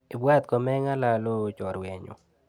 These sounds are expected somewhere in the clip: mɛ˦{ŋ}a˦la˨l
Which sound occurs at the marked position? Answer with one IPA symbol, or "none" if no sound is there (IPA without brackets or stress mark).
ŋ